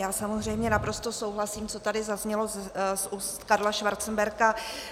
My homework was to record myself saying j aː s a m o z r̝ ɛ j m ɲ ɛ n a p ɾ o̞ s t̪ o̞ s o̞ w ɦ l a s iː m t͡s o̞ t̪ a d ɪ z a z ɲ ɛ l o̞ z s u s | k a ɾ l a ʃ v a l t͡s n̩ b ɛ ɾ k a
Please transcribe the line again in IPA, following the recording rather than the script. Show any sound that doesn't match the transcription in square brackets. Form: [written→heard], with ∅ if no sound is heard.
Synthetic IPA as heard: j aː s a m o z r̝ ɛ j m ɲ ɛ n a p ɾ o̞ s t̪ o̞ s o̞ w ɦ l a s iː m t͡s o̞ t̪ a d ɪ z a z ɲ ɛ l o̞ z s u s | k a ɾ l a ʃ v a [l→ɾ] t͡s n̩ b ɛ ɾ k a